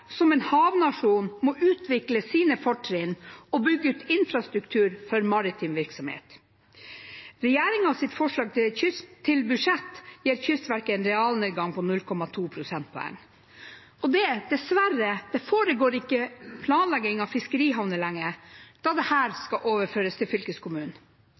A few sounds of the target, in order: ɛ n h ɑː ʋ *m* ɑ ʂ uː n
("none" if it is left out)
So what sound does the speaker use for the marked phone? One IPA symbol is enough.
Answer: n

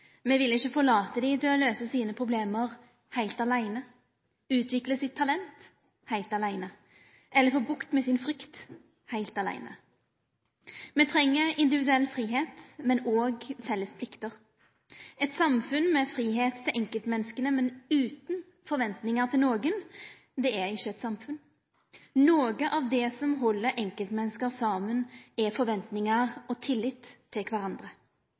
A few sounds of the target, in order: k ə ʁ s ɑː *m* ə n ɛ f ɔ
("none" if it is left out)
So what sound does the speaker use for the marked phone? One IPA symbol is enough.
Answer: m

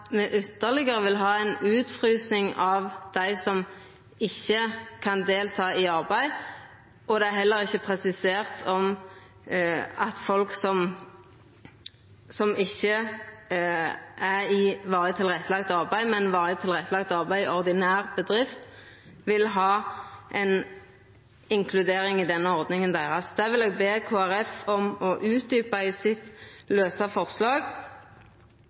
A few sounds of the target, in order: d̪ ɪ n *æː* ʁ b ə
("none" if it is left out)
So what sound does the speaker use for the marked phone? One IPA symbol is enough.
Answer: æː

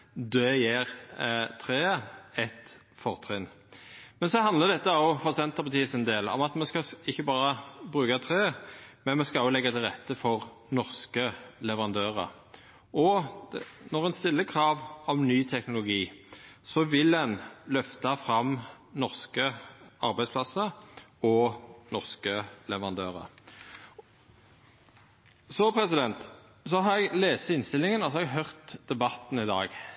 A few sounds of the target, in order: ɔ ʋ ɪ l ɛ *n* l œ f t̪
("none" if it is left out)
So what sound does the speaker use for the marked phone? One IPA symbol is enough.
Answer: n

